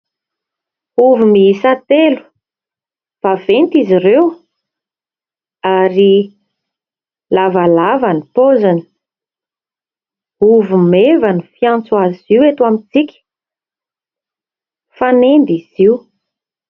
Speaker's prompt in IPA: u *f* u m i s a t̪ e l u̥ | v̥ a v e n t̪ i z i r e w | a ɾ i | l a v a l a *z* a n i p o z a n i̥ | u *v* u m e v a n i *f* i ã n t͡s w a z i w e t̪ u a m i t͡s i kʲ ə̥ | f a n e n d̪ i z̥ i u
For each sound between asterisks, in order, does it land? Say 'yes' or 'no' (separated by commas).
no, no, yes, yes